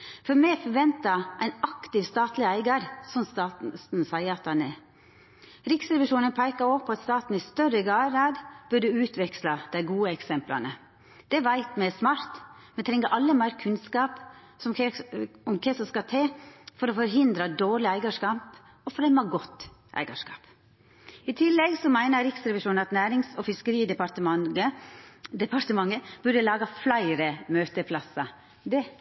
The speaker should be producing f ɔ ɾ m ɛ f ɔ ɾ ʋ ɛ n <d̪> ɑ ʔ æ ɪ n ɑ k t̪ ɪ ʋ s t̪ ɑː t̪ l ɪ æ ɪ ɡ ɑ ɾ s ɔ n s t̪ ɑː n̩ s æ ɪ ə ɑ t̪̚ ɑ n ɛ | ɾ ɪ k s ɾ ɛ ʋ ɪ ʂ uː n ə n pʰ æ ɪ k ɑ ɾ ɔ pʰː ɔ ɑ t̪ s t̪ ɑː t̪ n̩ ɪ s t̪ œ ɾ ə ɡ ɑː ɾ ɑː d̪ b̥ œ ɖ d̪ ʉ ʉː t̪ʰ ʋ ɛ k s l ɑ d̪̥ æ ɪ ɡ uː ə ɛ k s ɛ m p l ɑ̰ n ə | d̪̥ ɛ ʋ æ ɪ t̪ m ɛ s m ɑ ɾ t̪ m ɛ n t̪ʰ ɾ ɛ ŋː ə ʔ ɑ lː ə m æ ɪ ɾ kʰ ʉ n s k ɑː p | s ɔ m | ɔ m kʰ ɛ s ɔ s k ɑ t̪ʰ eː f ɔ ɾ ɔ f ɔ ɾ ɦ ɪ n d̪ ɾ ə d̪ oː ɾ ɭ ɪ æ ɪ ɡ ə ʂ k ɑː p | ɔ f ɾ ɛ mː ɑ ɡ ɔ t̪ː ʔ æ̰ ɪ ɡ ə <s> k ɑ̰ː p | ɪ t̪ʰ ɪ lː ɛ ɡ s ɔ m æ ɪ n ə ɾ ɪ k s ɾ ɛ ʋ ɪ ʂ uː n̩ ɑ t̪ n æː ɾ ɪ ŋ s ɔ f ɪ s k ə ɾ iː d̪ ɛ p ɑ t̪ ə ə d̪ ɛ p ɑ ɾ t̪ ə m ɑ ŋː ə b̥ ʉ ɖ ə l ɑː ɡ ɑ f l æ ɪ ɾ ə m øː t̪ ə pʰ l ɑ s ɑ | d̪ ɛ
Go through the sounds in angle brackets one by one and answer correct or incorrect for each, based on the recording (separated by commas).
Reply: incorrect, incorrect